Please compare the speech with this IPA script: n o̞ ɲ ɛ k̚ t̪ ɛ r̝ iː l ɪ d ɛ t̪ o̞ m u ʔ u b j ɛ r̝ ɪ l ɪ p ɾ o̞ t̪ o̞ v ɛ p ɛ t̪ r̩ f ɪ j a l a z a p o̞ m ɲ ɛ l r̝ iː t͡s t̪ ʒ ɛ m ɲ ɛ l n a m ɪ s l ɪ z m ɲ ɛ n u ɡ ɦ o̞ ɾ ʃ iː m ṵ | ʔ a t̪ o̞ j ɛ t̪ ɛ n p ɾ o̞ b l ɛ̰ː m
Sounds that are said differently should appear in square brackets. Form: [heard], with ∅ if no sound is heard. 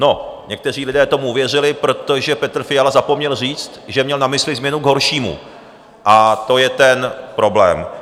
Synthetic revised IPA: n o̞ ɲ ɛ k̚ t̪ ɛ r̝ iː l ɪ d [ɛː] t̪ o̞ m u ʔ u [v] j ɛ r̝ ɪ l ɪ p ɾ o̞ t̪ o̞ [ʒ] ɛ p ɛ t̪ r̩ f ɪ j a l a z a p o̞ m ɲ ɛ l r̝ iː t͡s t̪ ʒ ɛ m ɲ ɛ l n a m ɪ s l ɪ z m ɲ ɛ n u ɡ ɦ o̞ ɾ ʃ iː m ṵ | ʔ a t̪ o̞ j ɛ t̪ ɛ n p ɾ o̞ b l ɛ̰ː m